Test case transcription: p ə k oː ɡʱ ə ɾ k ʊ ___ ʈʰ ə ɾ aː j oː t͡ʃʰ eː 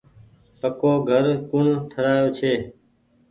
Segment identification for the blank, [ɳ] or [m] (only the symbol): ɳ